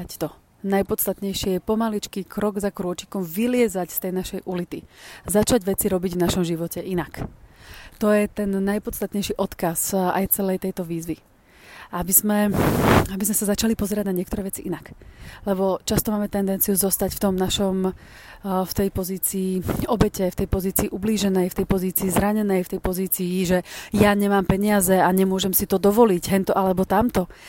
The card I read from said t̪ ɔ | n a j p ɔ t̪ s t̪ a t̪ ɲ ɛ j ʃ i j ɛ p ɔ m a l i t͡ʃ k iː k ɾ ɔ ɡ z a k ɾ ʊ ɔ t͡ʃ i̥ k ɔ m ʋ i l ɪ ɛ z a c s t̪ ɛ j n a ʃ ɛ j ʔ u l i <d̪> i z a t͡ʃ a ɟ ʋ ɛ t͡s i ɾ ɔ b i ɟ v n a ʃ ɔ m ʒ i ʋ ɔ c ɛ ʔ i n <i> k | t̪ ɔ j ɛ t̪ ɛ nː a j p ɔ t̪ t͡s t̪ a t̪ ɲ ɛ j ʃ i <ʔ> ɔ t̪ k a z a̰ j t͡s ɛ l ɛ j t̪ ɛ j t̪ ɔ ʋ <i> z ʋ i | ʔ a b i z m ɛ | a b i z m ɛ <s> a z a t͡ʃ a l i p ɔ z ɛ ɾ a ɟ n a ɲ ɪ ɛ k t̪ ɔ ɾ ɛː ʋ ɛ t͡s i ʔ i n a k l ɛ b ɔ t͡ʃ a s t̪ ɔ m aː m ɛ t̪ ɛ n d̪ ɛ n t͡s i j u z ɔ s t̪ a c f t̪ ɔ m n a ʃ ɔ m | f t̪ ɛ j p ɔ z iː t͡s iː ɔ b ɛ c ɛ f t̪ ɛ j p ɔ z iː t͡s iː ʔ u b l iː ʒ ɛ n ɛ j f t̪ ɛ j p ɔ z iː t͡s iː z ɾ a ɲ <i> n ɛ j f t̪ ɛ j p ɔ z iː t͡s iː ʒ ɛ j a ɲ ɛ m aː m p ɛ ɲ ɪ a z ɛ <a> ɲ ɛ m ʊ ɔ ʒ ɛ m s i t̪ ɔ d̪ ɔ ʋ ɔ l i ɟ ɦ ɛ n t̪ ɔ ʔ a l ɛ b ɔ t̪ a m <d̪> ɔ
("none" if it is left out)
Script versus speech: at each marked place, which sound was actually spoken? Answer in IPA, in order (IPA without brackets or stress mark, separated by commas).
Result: t̪, a, ʔ, iː, s, ɛ, a, t̪